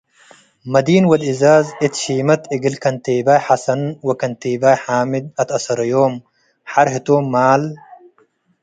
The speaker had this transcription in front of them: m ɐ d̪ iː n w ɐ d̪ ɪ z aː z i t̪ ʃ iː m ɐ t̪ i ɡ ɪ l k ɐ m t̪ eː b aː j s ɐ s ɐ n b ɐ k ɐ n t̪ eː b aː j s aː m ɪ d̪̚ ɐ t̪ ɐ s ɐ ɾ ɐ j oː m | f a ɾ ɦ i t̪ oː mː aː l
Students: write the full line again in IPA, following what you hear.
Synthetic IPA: m ɐ d̪ iː n w ɐ d̪ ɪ z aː z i t̪ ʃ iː m ɐ t̪ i ɡ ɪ l k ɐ n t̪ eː b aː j ħ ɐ s ɐ n w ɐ k ɐ n t̪ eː b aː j ħ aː m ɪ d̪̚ ɐ t̪ ɐ s ɐ ɾ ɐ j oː m | ħ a ɾ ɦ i t̪ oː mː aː l